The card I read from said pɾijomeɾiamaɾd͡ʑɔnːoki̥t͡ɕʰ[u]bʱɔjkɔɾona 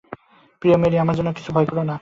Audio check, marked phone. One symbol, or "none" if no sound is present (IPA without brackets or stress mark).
u